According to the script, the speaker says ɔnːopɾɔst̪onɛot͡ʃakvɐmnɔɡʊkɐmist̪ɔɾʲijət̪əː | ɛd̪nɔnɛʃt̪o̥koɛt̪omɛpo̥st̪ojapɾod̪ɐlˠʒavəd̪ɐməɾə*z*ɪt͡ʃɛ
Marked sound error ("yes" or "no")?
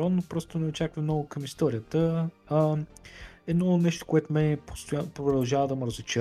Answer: no